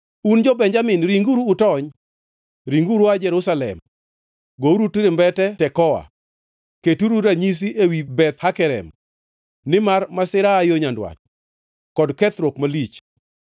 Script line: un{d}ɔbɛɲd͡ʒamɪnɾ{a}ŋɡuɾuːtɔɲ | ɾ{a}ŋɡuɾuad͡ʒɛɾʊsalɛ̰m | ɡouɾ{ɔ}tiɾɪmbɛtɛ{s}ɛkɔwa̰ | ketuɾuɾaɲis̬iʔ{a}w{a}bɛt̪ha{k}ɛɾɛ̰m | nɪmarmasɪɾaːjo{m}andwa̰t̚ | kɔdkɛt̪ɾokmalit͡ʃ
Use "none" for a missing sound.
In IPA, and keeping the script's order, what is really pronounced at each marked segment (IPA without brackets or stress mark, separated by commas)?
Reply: d͡ʒ, i, i, u, t, e, i, k, ɲ